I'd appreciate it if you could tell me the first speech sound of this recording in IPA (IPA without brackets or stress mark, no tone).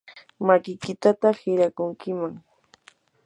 m